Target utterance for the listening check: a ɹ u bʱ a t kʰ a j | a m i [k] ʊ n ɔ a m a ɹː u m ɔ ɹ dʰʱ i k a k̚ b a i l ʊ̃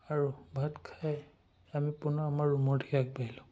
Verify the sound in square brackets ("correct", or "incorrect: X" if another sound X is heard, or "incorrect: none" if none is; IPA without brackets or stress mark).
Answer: incorrect: p